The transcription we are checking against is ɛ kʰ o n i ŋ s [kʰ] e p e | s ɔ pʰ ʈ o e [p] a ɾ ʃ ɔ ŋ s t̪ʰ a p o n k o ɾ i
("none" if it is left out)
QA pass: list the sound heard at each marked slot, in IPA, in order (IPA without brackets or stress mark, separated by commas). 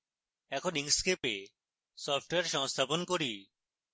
k, none